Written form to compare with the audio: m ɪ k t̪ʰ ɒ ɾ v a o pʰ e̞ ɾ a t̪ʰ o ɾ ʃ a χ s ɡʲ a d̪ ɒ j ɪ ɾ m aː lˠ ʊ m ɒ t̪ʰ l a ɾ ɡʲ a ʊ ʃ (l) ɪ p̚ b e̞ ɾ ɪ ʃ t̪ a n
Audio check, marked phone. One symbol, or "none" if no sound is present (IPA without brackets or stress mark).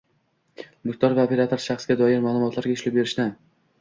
l